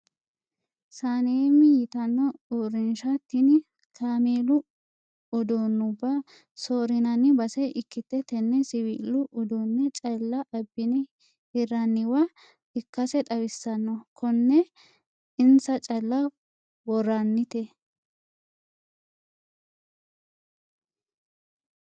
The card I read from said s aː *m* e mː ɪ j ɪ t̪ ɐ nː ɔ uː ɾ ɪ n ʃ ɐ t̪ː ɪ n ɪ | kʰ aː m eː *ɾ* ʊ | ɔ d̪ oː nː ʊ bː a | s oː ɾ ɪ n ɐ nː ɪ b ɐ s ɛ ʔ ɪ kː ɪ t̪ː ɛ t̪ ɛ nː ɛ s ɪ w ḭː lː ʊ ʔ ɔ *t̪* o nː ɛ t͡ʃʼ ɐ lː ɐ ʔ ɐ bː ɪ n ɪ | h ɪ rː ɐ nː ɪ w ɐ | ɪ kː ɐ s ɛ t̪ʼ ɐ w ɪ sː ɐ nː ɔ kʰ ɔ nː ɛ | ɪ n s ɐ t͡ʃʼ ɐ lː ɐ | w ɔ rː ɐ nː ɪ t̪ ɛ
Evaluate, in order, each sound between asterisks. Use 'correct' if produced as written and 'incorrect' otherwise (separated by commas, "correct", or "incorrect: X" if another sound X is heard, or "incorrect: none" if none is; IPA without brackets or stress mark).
incorrect: n, incorrect: l, incorrect: d̪